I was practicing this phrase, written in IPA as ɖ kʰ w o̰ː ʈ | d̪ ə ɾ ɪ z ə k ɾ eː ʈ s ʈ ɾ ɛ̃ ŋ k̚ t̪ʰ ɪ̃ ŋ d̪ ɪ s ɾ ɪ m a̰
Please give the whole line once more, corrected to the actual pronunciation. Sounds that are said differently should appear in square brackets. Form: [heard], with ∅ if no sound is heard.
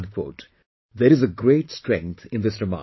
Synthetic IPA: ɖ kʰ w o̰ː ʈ | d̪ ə ɾ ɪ z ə [ɡ] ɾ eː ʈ s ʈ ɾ ɛ̃ ŋ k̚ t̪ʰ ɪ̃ [n] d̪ ɪ s ɾ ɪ m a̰